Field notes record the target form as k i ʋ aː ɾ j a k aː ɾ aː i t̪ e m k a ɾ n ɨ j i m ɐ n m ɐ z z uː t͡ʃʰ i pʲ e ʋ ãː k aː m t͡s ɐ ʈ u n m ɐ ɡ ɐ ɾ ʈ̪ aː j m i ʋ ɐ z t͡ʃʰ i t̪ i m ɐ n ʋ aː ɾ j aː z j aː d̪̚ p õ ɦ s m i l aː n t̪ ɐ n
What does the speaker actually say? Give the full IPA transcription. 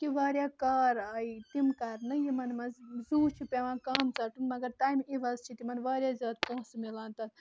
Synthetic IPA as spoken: k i ʋ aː ɾ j a k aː ɾ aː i t̪ i m k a ɾ n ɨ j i m ɐ n m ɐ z z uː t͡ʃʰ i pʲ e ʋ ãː k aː m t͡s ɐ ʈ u n m ɐ ɡ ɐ ɾ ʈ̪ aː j m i ʋ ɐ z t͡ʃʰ i t̪ i m ɐ n ʋ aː ɾ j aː z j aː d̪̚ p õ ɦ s m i l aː n t̪ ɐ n